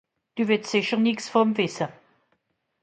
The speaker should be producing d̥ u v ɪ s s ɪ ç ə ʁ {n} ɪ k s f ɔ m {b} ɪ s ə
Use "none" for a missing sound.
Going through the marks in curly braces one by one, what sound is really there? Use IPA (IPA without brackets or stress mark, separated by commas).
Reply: n, v